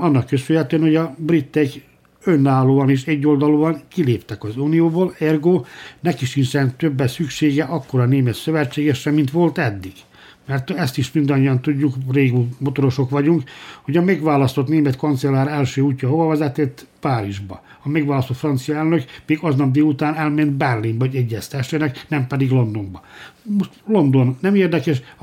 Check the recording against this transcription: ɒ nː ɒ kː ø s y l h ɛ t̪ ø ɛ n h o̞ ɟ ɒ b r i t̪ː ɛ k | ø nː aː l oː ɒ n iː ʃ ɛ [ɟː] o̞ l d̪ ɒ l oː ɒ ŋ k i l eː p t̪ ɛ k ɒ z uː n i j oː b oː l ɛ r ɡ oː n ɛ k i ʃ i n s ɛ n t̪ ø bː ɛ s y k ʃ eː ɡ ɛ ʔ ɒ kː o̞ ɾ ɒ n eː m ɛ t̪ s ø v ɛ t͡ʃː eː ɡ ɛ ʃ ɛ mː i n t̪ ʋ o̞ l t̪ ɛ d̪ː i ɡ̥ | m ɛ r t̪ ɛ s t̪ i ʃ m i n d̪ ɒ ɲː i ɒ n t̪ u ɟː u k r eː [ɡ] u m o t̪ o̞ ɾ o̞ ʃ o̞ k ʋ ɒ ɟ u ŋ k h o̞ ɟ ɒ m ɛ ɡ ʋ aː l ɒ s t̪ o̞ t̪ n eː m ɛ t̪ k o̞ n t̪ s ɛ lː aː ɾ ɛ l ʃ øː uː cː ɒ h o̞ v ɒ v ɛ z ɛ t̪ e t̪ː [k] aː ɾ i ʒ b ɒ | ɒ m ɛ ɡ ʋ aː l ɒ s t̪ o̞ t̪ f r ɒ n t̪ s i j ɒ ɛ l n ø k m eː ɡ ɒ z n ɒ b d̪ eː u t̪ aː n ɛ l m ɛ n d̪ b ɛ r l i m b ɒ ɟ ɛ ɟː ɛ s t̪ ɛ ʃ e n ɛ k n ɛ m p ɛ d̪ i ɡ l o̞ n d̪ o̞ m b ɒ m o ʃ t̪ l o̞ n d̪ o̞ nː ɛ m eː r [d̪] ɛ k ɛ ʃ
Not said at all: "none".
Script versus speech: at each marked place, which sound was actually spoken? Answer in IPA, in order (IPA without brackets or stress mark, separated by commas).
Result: ɟː, ɡ, p, d̪